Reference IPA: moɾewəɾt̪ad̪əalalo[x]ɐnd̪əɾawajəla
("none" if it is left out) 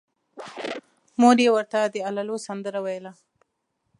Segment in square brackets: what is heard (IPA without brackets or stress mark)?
s